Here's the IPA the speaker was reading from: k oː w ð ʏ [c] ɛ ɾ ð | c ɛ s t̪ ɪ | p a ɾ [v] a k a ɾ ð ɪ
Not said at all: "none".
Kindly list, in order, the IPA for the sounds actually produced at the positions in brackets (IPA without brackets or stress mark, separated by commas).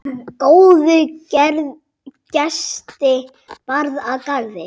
c, ð